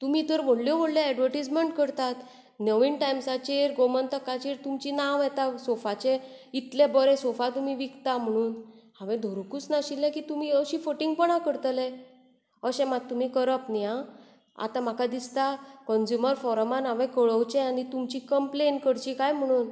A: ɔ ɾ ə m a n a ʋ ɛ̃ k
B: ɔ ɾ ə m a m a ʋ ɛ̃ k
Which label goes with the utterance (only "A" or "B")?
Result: A